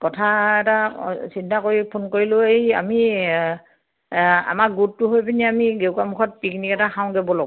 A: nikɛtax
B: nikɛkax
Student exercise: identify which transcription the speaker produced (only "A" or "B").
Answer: A